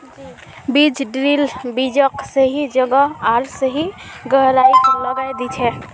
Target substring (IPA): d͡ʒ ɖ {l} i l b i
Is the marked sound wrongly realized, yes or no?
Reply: yes